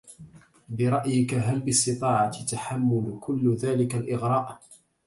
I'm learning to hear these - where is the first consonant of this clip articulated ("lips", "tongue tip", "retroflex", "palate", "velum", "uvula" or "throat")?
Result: lips